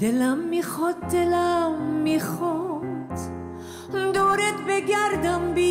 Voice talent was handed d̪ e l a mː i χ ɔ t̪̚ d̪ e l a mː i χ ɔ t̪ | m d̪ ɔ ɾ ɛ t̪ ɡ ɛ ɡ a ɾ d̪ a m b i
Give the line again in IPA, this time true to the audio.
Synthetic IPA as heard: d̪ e l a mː i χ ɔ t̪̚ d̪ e l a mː i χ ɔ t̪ | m d̪ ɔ ɾ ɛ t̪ b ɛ ɡ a ɾ d̪ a m b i